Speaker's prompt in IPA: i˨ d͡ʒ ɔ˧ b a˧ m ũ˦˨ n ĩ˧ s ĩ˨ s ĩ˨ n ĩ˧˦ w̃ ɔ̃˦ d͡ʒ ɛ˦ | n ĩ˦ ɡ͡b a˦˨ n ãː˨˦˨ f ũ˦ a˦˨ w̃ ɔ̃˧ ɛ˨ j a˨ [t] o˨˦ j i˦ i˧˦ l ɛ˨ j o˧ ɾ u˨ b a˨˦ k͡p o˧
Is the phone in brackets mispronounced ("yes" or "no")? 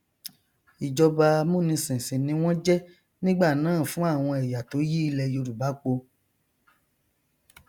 no